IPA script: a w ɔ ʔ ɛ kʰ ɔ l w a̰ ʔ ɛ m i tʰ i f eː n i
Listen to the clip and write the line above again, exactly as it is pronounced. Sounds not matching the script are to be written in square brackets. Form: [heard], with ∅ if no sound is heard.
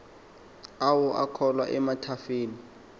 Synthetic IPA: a w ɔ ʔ [a] kʰ ɔ l w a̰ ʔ ɛ m [a] tʰ [a] f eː n i